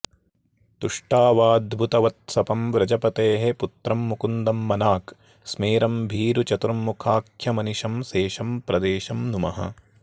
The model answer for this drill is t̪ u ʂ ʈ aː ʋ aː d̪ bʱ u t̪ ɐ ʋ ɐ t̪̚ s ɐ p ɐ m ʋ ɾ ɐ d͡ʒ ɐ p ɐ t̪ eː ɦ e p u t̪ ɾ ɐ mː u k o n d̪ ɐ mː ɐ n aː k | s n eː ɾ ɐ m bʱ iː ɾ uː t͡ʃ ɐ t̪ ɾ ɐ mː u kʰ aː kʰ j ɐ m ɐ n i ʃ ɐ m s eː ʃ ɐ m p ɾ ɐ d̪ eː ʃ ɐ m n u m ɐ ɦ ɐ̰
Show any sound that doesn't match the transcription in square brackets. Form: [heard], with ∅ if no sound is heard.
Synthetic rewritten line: t̪ u ʂ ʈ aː ʋ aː d̪ bʱ u t̪ ɐ ʋ ɐ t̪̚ s ɐ p ɐ m ʋ ɾ ɐ d͡ʒ ɐ p ɐ t̪ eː ɦ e p u t̪ ɾ ɐ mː u k [u] n d̪ ɐ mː ɐ n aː k | s [m] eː ɾ ɐ m bʱ iː ɾ [u] t͡ʃ ɐ t̪ ɾ ɐ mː u kʰ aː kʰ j ɐ m ɐ n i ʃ ɐ m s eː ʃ ɐ m p ɾ ɐ d̪ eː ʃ ɐ m n u m ɐ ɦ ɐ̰

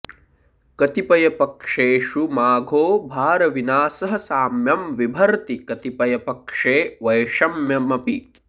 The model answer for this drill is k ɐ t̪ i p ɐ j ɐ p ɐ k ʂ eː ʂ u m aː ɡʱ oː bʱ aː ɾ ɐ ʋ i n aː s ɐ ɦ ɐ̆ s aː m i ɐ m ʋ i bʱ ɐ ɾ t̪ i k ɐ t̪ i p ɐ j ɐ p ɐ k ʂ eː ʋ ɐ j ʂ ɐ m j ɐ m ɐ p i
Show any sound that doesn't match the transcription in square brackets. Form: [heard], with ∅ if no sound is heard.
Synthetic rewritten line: k ɐ t̪ i p ɐ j ɐ p ɐ k ʂ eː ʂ u m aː ɡʱ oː bʱ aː ɾ ɐ ʋ i n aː s ɐ ɦ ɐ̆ s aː m [j] ɐ m ʋ i bʱ ɐ ɾ t̪ i k ɐ t̪ i p ɐ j ɐ p ɐ k ʂ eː ʋ ɐ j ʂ ɐ m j ɐ m ɐ p i

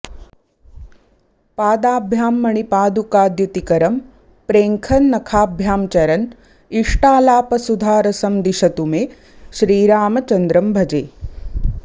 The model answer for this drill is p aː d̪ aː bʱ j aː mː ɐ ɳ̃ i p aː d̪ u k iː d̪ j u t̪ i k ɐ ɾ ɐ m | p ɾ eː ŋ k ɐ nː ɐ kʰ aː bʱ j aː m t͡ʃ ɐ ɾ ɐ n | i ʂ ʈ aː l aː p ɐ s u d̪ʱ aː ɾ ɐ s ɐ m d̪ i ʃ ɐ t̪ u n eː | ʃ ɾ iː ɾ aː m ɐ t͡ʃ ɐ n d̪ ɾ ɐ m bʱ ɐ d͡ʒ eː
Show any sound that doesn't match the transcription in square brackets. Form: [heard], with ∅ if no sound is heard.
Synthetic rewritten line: p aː d̪ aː bʱ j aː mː ɐ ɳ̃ i p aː d̪ u k [aː] d̪ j u t̪ i k ɐ ɾ ɐ m | p ɾ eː ŋ [kʰ] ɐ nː ɐ kʰ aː bʱ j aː m t͡ʃ ɐ ɾ ɐ n | i ʂ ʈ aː l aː p ɐ s u d̪ʱ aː ɾ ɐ s ɐ m d̪ i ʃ ɐ t̪ u [m] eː | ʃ ɾ iː ɾ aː m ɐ t͡ʃ ɐ n d̪ ɾ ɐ m bʱ ɐ d͡ʒ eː

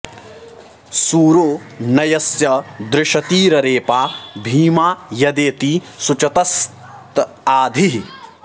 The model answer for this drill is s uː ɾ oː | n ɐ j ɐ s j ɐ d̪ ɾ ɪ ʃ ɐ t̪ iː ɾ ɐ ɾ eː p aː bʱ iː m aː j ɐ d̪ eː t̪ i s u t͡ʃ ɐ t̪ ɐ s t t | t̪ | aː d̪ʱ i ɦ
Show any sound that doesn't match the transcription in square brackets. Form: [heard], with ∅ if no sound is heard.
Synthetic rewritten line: s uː ɾ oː | n ɐ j ɐ s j ɐ d̪ ɾ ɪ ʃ ɐ t̪ iː ɾ ɐ ɾ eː p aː bʱ iː m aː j ɐ d̪ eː t̪ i s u t͡ʃ ɐ t̪ ɐ s t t | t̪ | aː d̪ʱ i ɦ

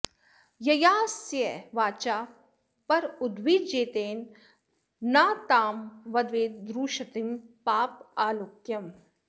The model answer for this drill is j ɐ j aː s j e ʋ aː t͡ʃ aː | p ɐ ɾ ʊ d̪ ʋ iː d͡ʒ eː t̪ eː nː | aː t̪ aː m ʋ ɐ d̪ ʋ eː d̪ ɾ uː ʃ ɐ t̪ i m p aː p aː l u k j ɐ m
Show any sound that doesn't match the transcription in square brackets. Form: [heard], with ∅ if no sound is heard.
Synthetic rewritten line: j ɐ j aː s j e ʋ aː t͡ʃ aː | p ɐ ɾ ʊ d̪ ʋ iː d͡ʒ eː t̪ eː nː | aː t̪ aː m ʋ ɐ d̪ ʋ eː d̪ ɾ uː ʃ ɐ t̪ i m p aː p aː l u k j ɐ m

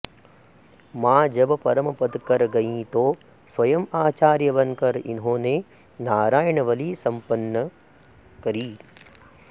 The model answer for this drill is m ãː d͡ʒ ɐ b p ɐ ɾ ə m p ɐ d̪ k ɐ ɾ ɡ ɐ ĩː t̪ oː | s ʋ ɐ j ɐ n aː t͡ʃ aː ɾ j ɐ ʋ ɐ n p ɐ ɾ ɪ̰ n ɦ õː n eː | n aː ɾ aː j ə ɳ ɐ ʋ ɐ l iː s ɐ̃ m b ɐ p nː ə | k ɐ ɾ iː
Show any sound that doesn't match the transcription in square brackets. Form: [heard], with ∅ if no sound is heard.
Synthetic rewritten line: m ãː d͡ʒ ɐ b p ɐ ɾ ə m p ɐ d̪ k ɐ ɾ ɡ ɐ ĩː t̪ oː | s ʋ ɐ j ɐ [m] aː t͡ʃ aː ɾ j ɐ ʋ ɐ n [k] ɐ ɾ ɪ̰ n ɦ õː n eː | n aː ɾ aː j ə ɳ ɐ ʋ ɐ l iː s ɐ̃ m [p] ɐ [∅] nː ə | k ɐ ɾ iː

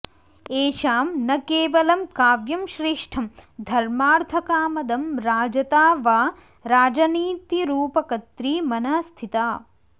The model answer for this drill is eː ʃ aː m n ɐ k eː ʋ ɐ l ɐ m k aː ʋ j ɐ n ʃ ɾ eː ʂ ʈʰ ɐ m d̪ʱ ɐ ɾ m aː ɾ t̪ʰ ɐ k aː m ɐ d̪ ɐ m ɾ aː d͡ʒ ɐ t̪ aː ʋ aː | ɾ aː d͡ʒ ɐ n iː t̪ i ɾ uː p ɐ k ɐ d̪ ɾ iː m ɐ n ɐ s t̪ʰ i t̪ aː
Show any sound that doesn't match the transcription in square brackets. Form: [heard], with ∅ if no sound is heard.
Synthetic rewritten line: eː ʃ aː m n ɐ k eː ʋ ɐ l ɐ m k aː ʋ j ɐ [m] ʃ ɾ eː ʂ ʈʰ ɐ m d̪ʱ ɐ ɾ m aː ɾ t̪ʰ ɐ k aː m ɐ d̪ ɐ m ɾ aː d͡ʒ ɐ t̪ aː ʋ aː | ɾ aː d͡ʒ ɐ n iː t̪ i ɾ uː p ɐ k ɐ [t̪] ɾ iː m ɐ n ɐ s t̪ʰ i t̪ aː

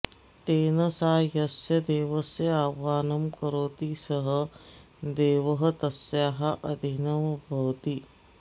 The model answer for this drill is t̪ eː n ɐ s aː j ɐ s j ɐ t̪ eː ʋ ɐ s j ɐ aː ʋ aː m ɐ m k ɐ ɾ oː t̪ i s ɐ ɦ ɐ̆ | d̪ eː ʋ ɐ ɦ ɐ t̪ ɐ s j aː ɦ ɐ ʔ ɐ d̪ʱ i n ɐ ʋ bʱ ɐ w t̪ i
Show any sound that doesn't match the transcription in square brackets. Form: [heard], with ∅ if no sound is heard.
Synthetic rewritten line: t̪ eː n ɐ s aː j ɐ s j ɐ [d̪] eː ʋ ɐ s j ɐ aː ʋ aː [n] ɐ m k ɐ ɾ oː t̪ i s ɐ ɦ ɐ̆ | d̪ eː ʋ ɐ ɦ ɐ t̪ ɐ s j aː ɦ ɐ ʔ ɐ d̪ʱ i n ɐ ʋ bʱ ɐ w t̪ i

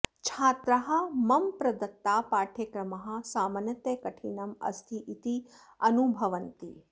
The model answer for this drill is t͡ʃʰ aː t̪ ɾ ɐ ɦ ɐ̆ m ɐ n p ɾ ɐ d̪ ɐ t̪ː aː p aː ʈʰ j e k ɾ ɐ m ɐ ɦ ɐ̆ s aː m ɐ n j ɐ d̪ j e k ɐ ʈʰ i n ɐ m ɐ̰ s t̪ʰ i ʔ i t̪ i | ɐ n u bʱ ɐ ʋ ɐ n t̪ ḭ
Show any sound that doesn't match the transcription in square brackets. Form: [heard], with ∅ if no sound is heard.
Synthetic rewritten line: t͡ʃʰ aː t̪ ɾ ɐ ɦ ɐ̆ m ɐ [m] p ɾ ɐ d̪ ɐ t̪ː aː p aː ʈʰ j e k ɾ ɐ m ɐ ɦ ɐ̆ s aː m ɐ n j ɐ [t̪] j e k ɐ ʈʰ i n ɐ m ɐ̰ s t̪ʰ i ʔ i t̪ i | ɐ n u bʱ ɐ ʋ ɐ n t̪ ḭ

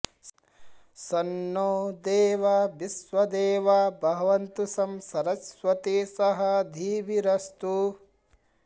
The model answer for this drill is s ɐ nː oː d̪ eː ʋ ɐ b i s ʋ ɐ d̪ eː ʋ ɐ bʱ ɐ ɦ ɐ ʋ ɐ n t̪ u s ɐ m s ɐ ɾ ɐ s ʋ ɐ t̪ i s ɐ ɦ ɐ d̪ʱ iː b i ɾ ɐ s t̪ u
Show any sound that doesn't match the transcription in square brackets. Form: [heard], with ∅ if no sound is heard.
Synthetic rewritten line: s ɐ nː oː d̪ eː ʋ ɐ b i s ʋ ɐ d̪ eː ʋ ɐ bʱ ɐ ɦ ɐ ʋ ɐ n t̪ u s ɐ m s ɐ ɾ ɐ s ʋ ɐ t̪ i s ɐ ɦ ɐ d̪ʱ iː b i ɾ ɐ s t̪ u

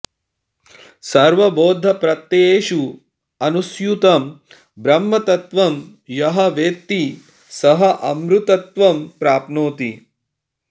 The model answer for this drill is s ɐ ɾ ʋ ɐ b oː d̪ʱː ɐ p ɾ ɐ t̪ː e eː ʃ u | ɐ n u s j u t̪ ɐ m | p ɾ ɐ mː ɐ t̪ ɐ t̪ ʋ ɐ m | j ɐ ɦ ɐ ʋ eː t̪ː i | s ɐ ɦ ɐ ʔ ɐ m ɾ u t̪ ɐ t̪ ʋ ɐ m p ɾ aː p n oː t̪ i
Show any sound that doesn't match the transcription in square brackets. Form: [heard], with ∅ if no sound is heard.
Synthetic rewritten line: s ɐ ɾ ʋ ɐ b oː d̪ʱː ɐ p ɾ ɐ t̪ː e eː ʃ u | ɐ n u s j u t̪ ɐ m | [b] ɾ ɐ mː ɐ t̪ ɐ t̪ ʋ ɐ m | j ɐ ɦ ɐ ʋ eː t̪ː i | s ɐ ɦ ɐ ʔ ɐ m ɾ u t̪ ɐ t̪ ʋ ɐ m p ɾ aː p n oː t̪ i

